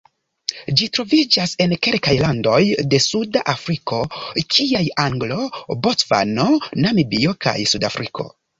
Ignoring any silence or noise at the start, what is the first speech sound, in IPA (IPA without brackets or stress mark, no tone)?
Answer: d͡ʒ